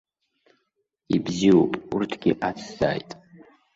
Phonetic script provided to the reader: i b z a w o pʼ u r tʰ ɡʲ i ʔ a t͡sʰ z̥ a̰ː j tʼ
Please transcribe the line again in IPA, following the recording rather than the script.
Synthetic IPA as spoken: i b z i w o pʼ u r tʰ ɡʲ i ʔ a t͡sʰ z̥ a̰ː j tʼ

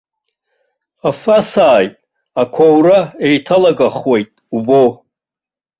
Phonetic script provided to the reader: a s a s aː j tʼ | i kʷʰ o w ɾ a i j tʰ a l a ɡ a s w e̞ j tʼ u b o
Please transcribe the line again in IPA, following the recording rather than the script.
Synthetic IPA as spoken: a f a s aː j tʼ | a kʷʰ o w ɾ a e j tʰ a l a ɡ a χ w e̞ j tʼ u b o

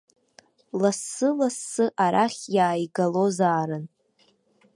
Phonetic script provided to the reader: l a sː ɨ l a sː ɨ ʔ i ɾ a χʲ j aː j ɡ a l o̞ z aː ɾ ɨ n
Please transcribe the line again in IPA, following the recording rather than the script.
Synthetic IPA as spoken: l a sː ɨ l a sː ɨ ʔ a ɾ a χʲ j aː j ɡ a l o̞ z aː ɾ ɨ n

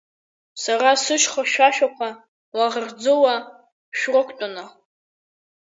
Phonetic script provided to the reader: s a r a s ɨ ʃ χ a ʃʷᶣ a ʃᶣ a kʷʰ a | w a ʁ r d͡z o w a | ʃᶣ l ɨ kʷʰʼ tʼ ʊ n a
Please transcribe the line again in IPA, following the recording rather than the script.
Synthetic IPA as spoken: s a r a s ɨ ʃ χ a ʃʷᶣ a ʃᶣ a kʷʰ a | w a ʁ r d͡z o w a | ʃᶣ r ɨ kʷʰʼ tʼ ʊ n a

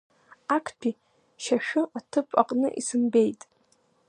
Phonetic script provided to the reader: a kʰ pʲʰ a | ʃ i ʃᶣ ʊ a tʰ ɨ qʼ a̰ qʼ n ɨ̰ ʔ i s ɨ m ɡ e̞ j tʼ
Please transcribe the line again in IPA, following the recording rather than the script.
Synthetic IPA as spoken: a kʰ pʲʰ i | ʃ a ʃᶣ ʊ a tʰ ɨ pʼ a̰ qʼ n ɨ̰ ʔ i s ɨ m b e̞ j tʼ

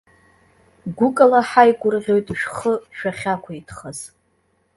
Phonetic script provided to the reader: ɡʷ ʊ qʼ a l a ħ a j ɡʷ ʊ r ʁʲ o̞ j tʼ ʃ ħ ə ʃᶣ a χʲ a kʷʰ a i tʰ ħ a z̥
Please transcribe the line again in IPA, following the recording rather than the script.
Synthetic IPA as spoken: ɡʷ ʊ kʼ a l a ħ a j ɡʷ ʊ r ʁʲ o̞ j tʼ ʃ χ ə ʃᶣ a χʲ a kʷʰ a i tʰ χ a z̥

